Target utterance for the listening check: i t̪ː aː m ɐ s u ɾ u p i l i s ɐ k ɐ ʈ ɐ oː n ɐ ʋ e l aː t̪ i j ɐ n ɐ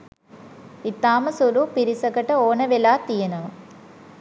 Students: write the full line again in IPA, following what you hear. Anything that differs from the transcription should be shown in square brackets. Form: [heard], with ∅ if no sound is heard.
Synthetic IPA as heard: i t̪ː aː m ɐ s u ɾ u p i [ɾ] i s ɐ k ɐ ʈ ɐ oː n ɐ ʋ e l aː t̪ i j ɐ n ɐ